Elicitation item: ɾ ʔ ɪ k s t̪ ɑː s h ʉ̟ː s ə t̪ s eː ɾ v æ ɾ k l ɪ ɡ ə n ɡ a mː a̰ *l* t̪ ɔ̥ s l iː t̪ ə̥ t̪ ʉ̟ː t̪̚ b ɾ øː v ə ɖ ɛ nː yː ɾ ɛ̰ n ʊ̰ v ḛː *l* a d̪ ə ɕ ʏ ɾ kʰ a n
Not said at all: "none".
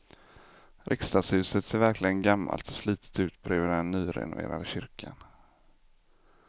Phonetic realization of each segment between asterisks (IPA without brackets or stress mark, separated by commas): l, ɾ